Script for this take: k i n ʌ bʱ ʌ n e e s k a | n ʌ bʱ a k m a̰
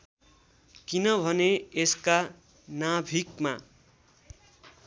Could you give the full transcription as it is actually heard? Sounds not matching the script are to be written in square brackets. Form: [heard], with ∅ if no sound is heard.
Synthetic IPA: k i n ʌ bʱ ʌ n e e s k a | n [a] bʱ [i] k m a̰